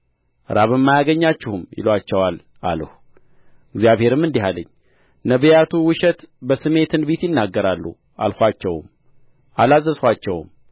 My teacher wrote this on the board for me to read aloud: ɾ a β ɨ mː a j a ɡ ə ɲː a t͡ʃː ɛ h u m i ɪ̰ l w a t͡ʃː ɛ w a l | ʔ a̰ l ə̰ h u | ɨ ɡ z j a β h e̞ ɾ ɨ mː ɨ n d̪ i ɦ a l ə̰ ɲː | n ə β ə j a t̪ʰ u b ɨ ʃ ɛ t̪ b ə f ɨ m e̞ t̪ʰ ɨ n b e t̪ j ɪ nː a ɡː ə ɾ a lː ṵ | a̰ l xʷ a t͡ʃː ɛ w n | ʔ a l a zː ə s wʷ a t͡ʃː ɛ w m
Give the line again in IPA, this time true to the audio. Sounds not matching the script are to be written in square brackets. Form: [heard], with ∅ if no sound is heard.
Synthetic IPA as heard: ɾ a β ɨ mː a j a ɡ ə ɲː a t͡ʃː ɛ h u m [j] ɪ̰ l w a t͡ʃː ɛ w a l | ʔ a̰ l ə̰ h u | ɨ ɡ z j a β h e̞ ɾ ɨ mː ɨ n d̪ i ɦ a l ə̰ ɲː | n ə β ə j a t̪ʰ u [w] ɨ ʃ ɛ t̪ b ə [s] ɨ m e̞ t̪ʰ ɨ n b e t̪ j ɪ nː a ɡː ə ɾ a lː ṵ | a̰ l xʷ a t͡ʃː ɛ w [m] | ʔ a l a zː ə s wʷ a t͡ʃː ɛ w m

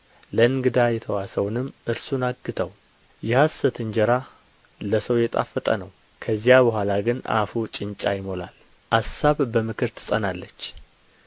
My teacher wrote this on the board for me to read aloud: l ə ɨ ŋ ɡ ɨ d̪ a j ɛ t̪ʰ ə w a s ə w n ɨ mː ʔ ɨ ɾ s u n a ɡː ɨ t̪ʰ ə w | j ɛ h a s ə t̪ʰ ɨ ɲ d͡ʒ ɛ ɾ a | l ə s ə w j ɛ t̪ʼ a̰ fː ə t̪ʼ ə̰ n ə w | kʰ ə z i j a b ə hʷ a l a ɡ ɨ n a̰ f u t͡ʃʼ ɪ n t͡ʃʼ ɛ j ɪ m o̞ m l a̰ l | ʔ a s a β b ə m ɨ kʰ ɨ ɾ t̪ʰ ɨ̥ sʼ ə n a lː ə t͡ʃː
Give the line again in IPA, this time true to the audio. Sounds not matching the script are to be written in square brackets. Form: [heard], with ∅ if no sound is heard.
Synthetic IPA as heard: l ə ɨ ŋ ɡ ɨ d̪ a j ɛ t̪ʰ ə w a s ə w n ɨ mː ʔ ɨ ɾ s u n a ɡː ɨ t̪ʰ ə w | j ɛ h a s ə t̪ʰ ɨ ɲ d͡ʒ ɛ ɾ a | l ə s ə w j ɛ t̪ʼ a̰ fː ə t̪ʼ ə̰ n ə w | kʰ ə z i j a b ə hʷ a l a ɡ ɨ n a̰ f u t͡ʃʼ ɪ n t͡ʃʼ [a] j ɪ m o̞ [∅] l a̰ l | ʔ a s a β b ə m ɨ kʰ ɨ ɾ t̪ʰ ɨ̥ sʼ ə n a lː ə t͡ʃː

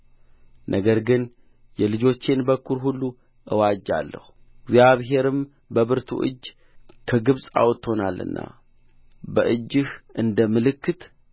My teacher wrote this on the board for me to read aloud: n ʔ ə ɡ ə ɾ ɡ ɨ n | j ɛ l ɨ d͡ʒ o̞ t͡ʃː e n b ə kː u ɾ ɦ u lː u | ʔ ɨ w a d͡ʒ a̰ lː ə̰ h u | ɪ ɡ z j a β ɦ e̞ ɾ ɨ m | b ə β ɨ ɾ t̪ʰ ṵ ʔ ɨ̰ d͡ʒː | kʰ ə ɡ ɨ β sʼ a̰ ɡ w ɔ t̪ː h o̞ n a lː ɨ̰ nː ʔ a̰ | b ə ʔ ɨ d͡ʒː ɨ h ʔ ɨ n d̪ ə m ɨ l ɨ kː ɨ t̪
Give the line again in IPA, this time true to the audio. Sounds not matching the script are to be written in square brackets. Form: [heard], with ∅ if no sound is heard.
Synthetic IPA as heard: n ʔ ə ɡ ə ɾ ɡ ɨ n | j ɛ l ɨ d͡ʒ o̞ t͡ʃː e n b ə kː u ɾ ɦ u lː u | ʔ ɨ w a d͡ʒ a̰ lː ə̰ h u | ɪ ɡ z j a β ɦ e̞ ɾ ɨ m | b ə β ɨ ɾ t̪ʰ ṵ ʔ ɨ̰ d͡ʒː | kʰ ə ɡ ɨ β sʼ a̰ [∅] w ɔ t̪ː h o̞ n a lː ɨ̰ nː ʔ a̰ | b ə ʔ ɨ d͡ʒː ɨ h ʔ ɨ n d̪ ə m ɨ l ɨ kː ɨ t̪

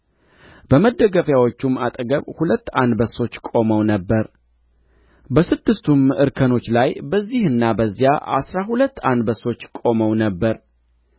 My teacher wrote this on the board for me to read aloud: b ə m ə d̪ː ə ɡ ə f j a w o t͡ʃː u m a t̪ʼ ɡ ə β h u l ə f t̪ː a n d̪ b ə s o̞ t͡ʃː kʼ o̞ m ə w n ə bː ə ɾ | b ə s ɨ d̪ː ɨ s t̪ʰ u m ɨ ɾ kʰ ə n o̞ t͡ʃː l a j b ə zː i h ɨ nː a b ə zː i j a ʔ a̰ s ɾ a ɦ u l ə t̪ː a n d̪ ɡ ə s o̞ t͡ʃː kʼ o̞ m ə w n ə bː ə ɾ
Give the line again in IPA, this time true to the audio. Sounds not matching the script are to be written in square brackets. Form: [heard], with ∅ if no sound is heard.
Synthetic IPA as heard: b ə m ə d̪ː ə ɡ ə f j a w o t͡ʃː u m a t̪ʼ ɡ ə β h u l ə [∅] t̪ː a n d̪ b ə s o̞ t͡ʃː kʼ o̞ m ə w n ə bː ə ɾ | b ə s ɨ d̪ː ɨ s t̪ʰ u m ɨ ɾ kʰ ə n o̞ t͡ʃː l a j b ə zː i h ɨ nː a b ə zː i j a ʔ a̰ s ɾ a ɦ u l ə t̪ː a n d̪ [b] ə s o̞ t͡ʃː kʼ o̞ m ə w n ə bː ə ɾ

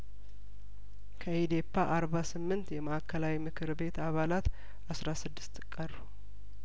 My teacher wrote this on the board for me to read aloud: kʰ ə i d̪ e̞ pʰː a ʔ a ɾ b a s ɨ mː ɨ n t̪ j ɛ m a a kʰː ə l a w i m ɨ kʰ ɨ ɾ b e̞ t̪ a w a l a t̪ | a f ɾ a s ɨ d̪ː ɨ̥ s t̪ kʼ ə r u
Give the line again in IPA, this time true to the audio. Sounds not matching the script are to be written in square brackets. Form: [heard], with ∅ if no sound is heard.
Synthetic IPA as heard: kʰ ə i d̪ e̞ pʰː a ʔ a ɾ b a s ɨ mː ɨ n t̪ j ɛ m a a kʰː ə l a w i m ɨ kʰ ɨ ɾ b e̞ t̪ a [β] a l a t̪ | a [s] ɾ a s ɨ d̪ː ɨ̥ s t̪ kʼ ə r u

